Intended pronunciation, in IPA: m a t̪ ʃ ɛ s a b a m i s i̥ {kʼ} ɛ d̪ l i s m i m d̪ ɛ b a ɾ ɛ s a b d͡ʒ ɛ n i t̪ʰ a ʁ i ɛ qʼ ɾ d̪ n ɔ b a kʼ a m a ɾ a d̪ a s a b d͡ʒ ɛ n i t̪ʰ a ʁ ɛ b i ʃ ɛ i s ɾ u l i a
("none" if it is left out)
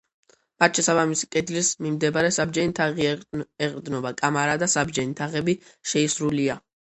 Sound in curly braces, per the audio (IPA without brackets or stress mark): kʼ